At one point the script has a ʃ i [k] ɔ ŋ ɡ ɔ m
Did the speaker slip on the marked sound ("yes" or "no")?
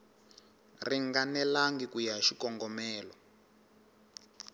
no